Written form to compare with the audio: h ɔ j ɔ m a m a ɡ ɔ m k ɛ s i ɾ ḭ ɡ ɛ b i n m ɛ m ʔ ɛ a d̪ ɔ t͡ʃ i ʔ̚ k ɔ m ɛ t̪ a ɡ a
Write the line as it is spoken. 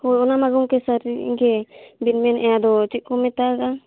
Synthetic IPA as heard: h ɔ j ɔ n a m a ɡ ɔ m k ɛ s a ɾ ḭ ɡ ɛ b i n m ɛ n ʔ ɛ a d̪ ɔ t͡ʃ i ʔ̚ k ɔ m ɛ t̪ a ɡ a